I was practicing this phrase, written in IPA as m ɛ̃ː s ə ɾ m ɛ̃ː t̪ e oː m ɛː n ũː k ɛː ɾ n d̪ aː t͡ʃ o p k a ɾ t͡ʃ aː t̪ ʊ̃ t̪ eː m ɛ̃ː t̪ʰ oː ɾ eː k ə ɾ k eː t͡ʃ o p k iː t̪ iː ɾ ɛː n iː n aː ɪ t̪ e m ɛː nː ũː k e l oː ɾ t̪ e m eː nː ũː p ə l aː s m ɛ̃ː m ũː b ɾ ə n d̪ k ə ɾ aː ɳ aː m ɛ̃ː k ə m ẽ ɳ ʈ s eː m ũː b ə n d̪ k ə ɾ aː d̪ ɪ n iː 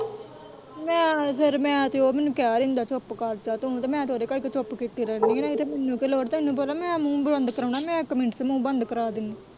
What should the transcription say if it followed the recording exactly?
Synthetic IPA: m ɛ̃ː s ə ɾ m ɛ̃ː t̪ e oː m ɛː n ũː k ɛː ɾ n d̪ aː t͡ʃ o p k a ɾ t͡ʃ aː t̪ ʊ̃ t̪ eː m ɛ̃ː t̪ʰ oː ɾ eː k ə ɾ k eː t͡ʃ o p k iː t̪ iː ɾ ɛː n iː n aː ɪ t̪ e m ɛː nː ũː k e l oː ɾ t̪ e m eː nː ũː p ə l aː m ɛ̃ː m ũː b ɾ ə n d̪ k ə ɾ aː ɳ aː m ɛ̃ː k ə m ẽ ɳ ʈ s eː m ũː b ə n d̪ k ə ɾ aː d̪ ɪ n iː

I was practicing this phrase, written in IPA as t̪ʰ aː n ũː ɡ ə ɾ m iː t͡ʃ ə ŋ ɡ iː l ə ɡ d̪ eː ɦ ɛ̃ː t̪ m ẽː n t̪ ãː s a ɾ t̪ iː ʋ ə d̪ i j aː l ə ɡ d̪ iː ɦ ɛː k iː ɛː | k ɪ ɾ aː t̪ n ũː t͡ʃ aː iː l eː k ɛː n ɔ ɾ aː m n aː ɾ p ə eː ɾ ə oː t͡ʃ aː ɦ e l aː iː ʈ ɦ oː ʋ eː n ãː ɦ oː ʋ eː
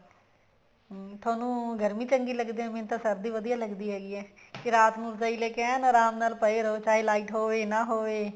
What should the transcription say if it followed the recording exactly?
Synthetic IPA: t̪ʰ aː n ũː ɡ ə ɾ m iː t͡ʃ ə ŋ ɡ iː l ə ɡ d̪ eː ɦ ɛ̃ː m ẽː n t̪ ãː s ə ɾ d̪ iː ʋ ə d̪ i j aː l ə ɡ d̪ iː ɦ ɛː ɡ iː ɛː | k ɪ ɾ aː t̪ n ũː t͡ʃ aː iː l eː k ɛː n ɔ ɾ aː m n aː l p ə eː ɾ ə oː t͡ʃ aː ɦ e l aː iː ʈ ɦ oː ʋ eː n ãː ɦ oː ʋ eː

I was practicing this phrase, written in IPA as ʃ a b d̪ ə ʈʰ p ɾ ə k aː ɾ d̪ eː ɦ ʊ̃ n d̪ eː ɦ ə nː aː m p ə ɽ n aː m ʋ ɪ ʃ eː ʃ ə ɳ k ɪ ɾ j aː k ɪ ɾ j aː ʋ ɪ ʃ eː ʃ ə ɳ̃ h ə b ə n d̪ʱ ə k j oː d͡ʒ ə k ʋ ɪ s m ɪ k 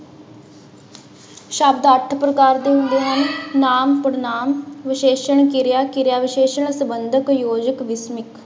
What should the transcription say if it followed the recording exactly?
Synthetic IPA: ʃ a b d̪ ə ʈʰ p ɾ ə k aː ɾ d̪ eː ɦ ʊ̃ n d̪ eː ɦ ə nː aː m p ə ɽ n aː m ʋ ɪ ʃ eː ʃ ə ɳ k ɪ ɾ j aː k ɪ ɾ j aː ʋ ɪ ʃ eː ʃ ə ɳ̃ s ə b ə n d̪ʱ ə k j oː d͡ʒ ə k ʋ ɪ s m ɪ k

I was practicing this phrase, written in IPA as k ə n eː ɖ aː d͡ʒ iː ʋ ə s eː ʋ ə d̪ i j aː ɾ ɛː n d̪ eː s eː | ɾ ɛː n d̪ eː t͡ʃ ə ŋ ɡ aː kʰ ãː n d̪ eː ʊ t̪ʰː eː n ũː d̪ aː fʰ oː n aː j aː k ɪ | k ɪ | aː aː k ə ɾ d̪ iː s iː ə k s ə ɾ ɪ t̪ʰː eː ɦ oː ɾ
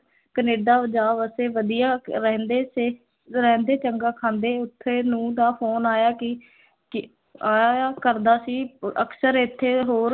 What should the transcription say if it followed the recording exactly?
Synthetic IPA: k ə n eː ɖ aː d͡ʒ aː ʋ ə s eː ʋ ə d̪ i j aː ɾ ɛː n d̪ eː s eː | ɾ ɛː n d̪ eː t͡ʃ ə ŋ ɡ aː kʰ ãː n d̪ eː ʊ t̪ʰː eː n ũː d̪ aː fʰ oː n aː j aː k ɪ | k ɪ | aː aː k ə ɾ d̪ aː s iː ə k s ə ɾ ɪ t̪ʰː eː ɦ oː ɾ

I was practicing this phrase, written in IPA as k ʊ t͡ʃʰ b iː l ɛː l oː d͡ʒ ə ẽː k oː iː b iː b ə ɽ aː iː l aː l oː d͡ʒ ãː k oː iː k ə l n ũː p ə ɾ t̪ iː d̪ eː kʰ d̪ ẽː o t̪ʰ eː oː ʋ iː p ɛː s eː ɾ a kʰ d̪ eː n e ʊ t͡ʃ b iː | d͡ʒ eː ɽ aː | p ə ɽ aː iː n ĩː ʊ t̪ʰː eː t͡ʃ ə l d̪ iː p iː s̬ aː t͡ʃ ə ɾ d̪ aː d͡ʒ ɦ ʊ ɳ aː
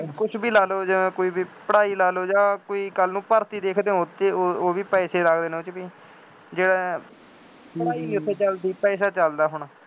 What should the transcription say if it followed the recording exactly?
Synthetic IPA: k ʊ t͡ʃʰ b iː l aː l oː d͡ʒ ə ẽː k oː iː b iː p ə ɽ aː iː l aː l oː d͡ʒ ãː k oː iː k ə l n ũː p ə ɾ t̪ iː d̪ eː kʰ d̪ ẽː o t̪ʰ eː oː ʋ iː p ɛː s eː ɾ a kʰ d̪ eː n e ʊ t͡ʃ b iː | d͡ʒ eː ɽ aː | p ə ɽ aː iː n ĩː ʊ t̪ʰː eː t͡ʃ ə l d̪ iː p ɛː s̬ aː t͡ʃ ə l d̪ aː ɦ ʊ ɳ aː

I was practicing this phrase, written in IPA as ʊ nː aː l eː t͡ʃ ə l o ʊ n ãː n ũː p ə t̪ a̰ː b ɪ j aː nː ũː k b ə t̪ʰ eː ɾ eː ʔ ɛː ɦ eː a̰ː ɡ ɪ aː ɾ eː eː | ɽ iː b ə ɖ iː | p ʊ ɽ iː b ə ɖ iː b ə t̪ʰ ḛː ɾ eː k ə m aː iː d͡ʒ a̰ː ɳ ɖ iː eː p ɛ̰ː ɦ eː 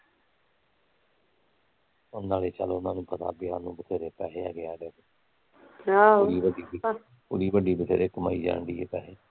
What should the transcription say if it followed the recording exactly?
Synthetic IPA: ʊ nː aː l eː t͡ʃ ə l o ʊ n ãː n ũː p ə t̪ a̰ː b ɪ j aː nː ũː b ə t̪ʰ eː ɾ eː p ɛː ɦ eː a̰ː ɡ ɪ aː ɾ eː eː | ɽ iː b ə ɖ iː | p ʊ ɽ iː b ə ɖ iː b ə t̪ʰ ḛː ɾ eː k ə m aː iː d͡ʒ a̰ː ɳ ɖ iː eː p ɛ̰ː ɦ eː

